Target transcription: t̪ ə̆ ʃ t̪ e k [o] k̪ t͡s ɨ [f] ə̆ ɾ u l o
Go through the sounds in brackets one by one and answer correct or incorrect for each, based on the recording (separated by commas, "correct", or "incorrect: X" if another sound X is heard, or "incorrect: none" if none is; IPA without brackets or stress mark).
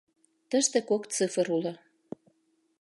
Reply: correct, correct